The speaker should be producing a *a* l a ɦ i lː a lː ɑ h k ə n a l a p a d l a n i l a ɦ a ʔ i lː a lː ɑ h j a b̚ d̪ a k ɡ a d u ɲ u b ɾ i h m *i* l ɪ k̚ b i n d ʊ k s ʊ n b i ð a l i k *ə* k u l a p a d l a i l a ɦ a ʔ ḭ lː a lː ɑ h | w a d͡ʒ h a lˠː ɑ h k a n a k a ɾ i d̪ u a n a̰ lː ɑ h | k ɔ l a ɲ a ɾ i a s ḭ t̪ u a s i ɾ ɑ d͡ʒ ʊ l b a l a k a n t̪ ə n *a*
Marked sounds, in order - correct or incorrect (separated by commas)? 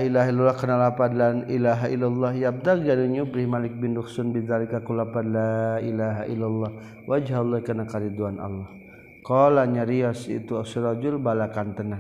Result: incorrect, incorrect, incorrect, correct